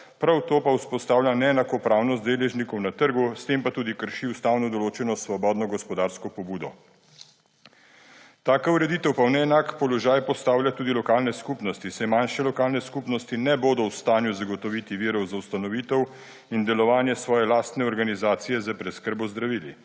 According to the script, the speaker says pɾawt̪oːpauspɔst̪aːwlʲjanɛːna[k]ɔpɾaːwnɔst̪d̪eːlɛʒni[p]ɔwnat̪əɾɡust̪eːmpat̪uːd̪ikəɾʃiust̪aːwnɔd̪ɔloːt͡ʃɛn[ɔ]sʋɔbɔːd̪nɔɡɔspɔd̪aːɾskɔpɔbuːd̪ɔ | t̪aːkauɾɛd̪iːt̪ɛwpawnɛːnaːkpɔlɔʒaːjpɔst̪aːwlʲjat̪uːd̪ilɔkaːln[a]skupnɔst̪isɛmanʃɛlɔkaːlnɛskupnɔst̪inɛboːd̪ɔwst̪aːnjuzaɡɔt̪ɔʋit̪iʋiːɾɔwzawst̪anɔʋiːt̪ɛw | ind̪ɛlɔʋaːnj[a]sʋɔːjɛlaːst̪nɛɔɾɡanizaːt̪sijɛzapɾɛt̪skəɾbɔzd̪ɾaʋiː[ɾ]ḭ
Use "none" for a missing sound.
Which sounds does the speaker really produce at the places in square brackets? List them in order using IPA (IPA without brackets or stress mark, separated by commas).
k, k, ɔ, ɛ, ɛ, l